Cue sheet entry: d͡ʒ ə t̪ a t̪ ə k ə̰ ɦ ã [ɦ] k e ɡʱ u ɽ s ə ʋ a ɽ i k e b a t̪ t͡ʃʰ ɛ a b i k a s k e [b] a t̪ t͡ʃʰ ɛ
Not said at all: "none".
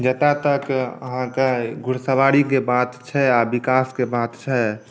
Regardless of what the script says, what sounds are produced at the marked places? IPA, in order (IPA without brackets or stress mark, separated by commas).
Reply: none, b